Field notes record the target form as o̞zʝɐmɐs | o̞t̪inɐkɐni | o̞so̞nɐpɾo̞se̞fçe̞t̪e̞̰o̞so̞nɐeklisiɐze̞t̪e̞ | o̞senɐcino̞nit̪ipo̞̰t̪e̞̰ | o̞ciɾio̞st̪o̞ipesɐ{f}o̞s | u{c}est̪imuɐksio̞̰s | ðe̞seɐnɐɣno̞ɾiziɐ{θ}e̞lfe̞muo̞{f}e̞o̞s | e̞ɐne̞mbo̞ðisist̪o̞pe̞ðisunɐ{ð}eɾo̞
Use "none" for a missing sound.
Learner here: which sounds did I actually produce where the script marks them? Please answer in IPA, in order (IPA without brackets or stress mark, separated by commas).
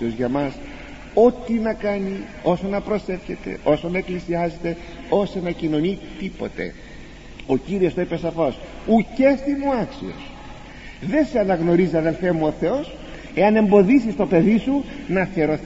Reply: f, c, ð, θ, θ